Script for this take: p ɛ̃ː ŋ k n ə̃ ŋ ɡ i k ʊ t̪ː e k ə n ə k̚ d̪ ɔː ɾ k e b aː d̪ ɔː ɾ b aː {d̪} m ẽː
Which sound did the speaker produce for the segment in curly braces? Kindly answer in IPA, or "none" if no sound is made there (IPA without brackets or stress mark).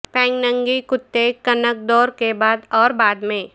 d̪